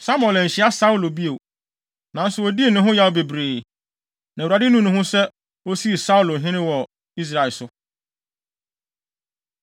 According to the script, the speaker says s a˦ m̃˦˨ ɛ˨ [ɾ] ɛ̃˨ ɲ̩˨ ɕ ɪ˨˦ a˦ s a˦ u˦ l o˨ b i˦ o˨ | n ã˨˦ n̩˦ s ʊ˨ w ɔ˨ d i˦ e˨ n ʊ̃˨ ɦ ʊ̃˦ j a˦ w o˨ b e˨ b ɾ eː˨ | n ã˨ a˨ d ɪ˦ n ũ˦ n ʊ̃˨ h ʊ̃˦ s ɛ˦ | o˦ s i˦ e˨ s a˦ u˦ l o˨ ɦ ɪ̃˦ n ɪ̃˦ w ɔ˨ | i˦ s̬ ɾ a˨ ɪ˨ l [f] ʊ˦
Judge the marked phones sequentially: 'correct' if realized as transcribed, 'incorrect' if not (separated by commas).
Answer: incorrect, incorrect